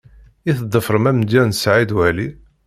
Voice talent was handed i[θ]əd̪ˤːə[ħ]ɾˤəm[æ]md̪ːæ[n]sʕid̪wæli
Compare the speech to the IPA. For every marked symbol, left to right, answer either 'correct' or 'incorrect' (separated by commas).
correct, incorrect, correct, correct